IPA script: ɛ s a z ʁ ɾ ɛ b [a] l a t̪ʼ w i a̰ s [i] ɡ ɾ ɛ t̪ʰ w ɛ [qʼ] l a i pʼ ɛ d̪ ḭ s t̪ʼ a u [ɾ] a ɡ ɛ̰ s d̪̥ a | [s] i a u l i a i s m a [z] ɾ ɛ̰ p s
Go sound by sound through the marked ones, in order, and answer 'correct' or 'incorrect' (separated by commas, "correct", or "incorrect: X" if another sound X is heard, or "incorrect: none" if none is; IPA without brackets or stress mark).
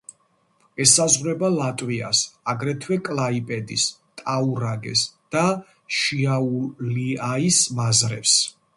correct, incorrect: a, incorrect: kʼ, correct, incorrect: ʃ, correct